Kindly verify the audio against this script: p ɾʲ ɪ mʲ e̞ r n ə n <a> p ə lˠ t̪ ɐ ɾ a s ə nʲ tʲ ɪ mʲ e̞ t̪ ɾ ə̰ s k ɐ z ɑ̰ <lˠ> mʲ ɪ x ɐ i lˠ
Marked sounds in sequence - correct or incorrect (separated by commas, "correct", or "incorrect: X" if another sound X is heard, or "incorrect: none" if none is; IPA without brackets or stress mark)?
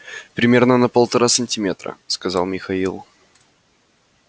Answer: incorrect: ə, correct